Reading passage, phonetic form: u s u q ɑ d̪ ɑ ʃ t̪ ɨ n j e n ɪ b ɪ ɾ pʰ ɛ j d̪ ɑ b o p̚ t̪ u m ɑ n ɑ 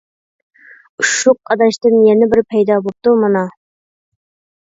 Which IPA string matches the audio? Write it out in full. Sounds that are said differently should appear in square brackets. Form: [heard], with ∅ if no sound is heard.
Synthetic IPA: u [ʃ] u q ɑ d̪ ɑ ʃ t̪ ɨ n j [ɛ] n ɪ b ɪ ɾ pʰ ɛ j d̪ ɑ b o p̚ t̪ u m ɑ n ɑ